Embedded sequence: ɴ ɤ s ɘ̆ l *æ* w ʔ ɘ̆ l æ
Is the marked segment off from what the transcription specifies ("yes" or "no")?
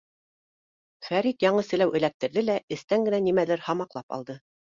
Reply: no